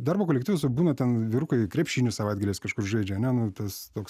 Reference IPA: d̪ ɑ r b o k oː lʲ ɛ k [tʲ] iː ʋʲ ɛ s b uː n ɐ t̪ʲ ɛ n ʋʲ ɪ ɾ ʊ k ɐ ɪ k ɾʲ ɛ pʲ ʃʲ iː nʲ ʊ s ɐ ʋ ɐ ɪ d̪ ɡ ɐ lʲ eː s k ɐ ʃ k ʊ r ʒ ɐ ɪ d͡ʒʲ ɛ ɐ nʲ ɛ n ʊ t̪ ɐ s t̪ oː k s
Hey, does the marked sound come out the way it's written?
yes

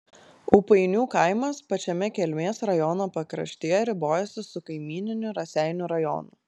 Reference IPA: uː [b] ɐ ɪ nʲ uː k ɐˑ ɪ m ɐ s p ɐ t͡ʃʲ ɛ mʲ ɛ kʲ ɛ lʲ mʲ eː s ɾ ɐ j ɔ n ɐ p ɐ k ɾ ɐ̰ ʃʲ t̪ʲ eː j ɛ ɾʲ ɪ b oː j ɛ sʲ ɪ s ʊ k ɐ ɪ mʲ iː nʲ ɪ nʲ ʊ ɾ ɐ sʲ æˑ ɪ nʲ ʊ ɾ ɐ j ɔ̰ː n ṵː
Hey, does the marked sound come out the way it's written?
no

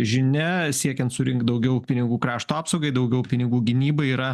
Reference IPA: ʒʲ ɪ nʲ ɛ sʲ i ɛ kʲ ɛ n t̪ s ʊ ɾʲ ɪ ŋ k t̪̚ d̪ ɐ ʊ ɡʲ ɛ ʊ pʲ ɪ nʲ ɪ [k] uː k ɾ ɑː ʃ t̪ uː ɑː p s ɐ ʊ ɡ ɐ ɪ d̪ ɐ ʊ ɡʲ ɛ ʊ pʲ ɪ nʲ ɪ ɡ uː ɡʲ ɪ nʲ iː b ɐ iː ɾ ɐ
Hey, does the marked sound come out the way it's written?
no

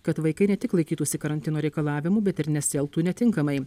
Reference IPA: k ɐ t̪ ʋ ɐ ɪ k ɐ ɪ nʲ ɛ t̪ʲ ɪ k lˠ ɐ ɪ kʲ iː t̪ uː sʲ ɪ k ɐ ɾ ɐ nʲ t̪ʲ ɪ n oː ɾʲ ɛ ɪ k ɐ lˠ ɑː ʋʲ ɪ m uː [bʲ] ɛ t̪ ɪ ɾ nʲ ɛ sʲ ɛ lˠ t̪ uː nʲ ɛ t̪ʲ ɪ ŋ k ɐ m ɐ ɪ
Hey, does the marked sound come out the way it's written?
yes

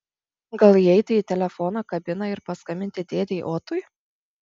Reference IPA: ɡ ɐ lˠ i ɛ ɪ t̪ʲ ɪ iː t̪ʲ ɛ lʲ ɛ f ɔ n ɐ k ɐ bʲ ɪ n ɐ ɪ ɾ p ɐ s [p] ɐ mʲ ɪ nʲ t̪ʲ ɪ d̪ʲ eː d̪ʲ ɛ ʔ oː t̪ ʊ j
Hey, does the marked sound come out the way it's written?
no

